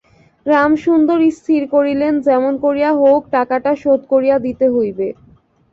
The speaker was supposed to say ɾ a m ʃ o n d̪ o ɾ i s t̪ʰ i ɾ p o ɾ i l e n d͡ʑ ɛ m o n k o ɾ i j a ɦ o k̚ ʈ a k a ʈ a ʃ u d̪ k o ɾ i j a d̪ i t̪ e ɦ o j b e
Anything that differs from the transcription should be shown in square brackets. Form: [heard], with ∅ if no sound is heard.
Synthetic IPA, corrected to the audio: ɾ a m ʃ [u] n d̪ o ɾ i s t̪ʰ i ɾ [k] o ɾ i l e n d͡ʑ ɛ m o n k o ɾ i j a ɦ o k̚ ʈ a k a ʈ a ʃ [o] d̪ k o ɾ i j a d̪ i t̪ e ɦ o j b e